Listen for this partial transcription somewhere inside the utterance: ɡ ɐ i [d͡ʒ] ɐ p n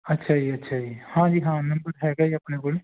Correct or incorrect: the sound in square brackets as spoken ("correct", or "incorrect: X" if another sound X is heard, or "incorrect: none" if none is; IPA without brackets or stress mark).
incorrect: none